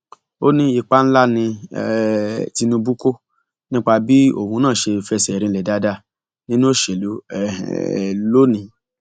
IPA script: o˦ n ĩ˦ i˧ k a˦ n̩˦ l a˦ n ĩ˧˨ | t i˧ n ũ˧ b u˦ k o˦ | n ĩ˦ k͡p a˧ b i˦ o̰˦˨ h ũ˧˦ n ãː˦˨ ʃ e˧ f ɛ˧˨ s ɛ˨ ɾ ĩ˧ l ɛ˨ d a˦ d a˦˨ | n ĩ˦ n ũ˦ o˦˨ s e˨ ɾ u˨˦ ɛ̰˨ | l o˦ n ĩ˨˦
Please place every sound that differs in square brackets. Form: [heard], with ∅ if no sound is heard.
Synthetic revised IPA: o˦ n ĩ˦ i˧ [k͡p] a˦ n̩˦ l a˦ n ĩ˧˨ | t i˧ n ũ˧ b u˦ k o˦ | n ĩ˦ k͡p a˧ b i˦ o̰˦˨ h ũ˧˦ n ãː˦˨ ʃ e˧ f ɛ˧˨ s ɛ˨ ɾ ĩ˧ l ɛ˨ d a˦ d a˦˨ | n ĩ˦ n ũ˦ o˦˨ [ʃ] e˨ [l] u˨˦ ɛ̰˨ | l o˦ n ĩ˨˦